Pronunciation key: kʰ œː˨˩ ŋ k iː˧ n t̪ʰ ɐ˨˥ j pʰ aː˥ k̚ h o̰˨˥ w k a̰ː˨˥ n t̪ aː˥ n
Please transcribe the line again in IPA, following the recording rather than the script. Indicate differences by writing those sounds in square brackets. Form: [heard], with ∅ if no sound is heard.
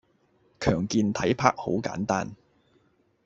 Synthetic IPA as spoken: kʰ œː˨˩ ŋ k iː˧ n t̪ʰ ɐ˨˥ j pʰ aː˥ k̚ h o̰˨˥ w k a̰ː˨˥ n t̪ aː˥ n